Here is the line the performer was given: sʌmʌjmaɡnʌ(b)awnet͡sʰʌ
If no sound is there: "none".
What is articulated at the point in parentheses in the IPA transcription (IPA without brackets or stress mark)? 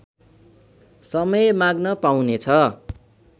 p